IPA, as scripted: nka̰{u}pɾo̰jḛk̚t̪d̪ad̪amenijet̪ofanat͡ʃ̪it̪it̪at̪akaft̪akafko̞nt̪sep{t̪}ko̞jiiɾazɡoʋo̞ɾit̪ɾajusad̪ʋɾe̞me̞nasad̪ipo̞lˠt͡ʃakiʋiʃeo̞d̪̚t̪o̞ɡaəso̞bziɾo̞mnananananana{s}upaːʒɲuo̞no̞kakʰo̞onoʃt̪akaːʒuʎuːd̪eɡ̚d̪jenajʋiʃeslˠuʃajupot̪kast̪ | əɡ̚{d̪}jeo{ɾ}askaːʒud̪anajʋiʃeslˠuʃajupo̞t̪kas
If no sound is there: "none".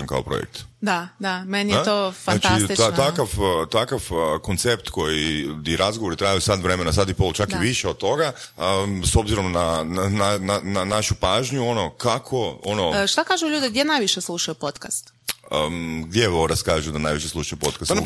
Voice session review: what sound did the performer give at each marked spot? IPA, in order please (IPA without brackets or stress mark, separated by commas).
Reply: o, t̪, ʃ, d̪, ɾ